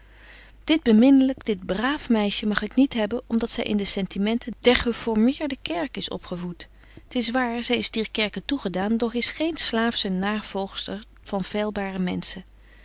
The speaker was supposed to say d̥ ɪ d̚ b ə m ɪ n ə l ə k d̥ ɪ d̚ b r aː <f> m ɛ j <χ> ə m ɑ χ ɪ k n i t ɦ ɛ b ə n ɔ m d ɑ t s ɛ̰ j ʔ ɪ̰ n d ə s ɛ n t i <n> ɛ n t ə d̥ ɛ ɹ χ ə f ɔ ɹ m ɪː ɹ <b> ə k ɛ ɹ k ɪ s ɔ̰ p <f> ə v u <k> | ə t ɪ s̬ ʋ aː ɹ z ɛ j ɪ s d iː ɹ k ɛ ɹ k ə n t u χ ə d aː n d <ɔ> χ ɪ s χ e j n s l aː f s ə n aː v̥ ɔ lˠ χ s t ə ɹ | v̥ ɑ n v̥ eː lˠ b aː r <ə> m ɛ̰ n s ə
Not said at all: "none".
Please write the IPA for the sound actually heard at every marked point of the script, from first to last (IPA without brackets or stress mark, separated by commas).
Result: f, ʃ, m, d, χ, t, ɔ, ə